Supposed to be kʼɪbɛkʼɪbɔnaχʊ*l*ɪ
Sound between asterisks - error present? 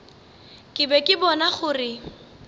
yes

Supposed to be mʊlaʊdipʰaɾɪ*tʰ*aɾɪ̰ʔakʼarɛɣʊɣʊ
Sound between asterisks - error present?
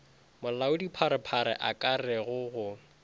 yes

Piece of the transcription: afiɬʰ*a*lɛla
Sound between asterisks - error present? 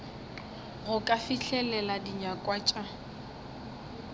yes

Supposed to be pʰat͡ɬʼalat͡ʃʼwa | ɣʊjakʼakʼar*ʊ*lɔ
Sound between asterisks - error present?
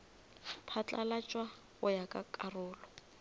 yes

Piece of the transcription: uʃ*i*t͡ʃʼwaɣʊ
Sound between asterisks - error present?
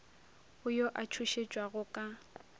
yes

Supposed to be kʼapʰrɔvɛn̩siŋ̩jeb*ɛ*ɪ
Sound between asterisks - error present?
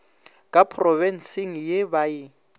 yes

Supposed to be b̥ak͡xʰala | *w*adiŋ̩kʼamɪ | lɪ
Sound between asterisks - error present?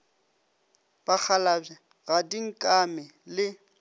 yes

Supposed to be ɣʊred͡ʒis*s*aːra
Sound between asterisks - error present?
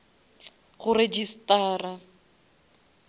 yes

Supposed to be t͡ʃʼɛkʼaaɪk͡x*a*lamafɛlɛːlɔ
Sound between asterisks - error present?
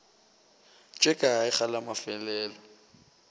no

